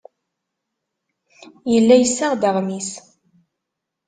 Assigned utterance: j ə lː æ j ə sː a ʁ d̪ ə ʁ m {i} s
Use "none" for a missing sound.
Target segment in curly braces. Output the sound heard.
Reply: i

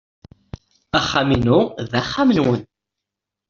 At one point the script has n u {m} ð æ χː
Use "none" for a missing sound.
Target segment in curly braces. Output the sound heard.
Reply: none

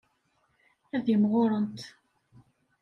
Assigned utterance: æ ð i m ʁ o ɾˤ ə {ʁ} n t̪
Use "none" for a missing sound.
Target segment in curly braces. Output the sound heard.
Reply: none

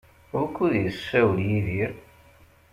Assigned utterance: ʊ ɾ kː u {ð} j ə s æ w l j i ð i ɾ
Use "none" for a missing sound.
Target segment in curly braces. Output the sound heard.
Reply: ð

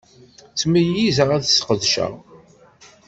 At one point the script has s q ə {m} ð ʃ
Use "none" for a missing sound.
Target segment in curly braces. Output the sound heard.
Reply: none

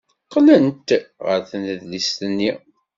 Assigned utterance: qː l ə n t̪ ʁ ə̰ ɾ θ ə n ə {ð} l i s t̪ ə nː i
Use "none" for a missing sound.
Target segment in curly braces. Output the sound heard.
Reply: ð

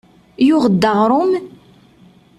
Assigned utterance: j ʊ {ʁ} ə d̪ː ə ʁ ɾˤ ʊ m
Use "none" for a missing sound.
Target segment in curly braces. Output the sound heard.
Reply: ʁ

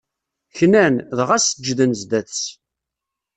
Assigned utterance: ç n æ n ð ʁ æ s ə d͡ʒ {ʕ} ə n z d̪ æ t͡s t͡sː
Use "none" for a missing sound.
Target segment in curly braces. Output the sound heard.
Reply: ð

